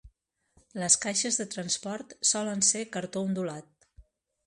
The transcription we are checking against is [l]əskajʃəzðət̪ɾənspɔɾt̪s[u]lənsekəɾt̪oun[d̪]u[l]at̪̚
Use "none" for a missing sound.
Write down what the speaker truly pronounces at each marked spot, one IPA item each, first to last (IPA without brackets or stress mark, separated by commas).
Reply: l, ɔ, d̪, l